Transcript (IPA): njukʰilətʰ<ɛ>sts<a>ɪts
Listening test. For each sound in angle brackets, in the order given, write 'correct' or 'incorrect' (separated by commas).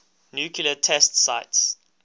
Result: correct, correct